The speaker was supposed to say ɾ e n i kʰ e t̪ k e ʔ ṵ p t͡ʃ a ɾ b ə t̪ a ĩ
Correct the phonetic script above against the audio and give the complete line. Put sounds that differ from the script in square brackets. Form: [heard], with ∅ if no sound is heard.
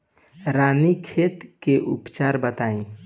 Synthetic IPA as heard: ɾ [a] n i kʰ e t̪ k e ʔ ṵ p t͡ʃ a ɾ b ə t̪ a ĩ